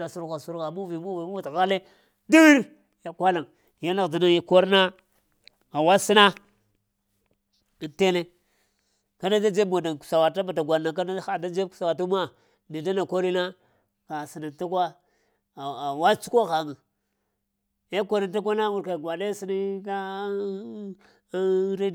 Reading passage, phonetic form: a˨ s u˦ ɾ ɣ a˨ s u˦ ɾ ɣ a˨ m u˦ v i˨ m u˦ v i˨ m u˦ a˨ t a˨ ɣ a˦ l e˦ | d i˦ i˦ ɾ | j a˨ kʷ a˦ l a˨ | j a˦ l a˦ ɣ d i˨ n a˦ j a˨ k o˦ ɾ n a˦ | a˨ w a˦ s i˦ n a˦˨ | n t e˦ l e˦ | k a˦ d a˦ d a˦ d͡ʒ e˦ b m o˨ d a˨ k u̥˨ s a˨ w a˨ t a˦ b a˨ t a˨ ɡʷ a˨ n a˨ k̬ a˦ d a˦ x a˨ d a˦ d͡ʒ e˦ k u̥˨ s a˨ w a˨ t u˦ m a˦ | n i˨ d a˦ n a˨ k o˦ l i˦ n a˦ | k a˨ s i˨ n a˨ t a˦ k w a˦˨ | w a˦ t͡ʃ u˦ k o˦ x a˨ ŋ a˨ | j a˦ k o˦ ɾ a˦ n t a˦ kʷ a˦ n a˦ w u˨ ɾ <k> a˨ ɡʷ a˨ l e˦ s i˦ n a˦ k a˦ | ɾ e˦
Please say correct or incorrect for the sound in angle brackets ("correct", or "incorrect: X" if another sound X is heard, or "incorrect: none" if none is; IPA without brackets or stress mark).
correct